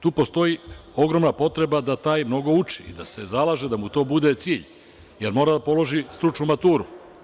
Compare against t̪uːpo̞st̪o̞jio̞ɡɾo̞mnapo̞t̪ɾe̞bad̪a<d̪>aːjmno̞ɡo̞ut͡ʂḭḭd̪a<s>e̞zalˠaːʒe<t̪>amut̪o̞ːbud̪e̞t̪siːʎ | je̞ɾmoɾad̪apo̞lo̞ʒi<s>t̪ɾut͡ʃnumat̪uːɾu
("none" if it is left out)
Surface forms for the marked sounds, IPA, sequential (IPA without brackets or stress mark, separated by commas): t̪, s, d̪, s